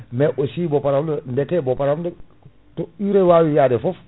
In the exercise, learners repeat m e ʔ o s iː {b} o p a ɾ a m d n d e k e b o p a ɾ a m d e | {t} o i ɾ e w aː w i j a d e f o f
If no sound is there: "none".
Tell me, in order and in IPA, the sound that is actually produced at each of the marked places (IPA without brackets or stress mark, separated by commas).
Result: b, t